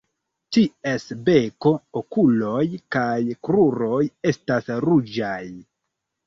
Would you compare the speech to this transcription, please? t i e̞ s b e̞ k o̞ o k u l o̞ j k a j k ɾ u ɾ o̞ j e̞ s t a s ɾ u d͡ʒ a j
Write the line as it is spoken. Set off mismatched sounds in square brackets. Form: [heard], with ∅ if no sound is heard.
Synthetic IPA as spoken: t i e̞ s b e̞ k o̞ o k u l o̞ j k a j k ɾ u ɾ o̞ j e̞ s t a s ɾ u d͡ʒ a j